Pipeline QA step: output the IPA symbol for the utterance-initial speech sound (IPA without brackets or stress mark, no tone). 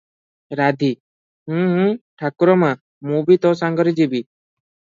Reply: ɾ